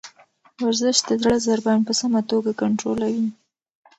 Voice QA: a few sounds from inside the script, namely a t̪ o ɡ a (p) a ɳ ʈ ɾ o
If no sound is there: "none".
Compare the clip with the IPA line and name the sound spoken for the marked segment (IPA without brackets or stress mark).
k